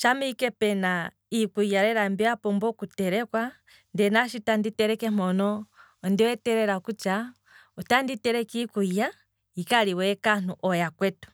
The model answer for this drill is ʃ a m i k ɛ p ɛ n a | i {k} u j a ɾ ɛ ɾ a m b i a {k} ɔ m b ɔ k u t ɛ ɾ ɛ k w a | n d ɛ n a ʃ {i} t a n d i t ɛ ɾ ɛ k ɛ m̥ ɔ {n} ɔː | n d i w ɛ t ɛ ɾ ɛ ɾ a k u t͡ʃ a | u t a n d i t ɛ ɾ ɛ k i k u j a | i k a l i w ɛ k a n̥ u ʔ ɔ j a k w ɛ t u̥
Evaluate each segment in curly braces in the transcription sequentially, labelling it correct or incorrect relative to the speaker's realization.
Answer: correct, incorrect, correct, correct

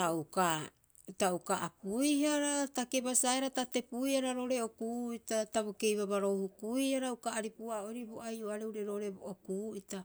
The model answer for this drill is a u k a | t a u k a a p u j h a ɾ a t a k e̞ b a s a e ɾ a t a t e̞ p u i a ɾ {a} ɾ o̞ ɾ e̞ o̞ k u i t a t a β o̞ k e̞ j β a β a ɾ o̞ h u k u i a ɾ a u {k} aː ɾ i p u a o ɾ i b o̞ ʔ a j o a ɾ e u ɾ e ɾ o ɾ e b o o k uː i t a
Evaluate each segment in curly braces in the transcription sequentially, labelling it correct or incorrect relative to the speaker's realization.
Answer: correct, correct

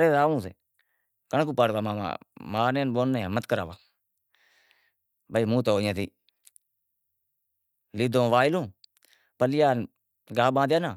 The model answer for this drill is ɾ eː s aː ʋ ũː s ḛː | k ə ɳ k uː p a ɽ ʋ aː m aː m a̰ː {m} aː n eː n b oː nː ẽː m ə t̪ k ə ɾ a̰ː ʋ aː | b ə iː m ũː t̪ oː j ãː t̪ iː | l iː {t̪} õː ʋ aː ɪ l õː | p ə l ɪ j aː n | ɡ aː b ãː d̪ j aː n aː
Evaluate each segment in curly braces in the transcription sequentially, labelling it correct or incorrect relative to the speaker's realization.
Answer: correct, incorrect

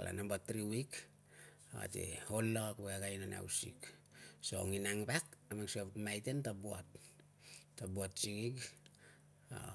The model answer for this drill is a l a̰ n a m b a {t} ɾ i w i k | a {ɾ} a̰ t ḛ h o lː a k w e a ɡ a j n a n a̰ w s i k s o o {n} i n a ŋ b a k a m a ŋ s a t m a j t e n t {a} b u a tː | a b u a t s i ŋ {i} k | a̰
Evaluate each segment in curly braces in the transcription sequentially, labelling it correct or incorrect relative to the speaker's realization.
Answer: correct, incorrect, incorrect, correct, correct

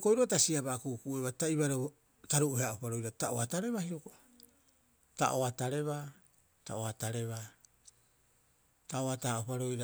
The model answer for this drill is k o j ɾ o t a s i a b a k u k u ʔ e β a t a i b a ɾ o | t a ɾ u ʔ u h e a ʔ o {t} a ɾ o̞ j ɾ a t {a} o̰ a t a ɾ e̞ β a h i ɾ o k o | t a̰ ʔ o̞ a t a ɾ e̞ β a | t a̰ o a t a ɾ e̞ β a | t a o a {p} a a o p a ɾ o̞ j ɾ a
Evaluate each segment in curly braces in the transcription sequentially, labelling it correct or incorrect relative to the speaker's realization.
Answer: incorrect, correct, incorrect

